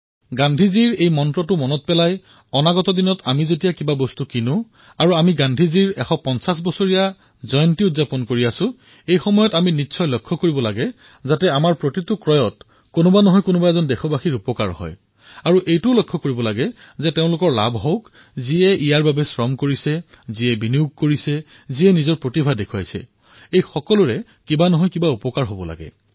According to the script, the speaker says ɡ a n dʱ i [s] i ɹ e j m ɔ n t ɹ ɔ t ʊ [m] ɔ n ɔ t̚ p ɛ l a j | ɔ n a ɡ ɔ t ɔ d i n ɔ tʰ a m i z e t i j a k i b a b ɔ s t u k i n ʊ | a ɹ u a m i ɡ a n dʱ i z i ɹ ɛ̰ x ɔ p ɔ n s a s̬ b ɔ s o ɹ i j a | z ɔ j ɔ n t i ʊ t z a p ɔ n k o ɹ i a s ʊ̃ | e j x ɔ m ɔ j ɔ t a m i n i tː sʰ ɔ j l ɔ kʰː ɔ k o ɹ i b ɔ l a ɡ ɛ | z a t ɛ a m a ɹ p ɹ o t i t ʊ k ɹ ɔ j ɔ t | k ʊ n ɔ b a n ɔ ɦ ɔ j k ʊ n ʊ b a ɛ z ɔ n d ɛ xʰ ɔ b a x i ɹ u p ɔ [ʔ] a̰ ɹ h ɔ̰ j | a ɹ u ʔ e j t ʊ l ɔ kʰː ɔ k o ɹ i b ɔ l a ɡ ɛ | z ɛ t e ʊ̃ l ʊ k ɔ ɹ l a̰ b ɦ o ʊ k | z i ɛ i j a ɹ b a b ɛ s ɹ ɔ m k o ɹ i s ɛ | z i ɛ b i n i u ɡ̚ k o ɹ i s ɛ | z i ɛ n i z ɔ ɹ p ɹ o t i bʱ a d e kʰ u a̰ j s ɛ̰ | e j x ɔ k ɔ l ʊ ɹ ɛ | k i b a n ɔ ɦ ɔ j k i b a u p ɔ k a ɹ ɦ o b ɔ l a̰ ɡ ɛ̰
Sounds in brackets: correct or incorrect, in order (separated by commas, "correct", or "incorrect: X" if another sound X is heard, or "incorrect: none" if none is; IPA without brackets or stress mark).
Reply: incorrect: z, correct, incorrect: k